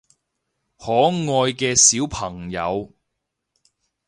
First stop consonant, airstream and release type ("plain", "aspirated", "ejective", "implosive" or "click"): plain